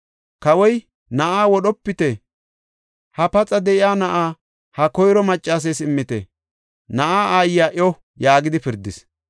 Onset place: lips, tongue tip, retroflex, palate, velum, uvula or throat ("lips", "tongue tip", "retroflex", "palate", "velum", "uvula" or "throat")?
velum